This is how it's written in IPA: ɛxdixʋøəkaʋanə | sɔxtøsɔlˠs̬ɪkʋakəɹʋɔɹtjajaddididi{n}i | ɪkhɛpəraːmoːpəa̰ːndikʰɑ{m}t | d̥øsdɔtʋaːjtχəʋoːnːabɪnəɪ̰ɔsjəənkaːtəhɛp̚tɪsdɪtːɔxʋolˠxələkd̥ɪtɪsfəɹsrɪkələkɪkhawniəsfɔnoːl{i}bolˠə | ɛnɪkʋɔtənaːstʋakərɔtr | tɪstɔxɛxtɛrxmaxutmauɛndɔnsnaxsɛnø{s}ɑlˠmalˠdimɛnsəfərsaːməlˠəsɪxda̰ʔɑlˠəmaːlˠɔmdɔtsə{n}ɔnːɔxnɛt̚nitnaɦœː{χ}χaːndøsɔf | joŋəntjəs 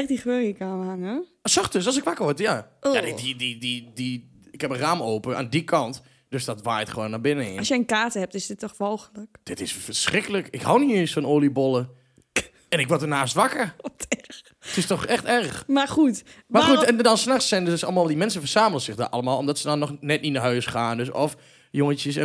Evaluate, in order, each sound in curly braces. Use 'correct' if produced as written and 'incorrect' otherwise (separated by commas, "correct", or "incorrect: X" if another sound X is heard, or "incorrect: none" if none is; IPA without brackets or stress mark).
incorrect: d, incorrect: n, correct, correct, incorrect: d, incorrect: s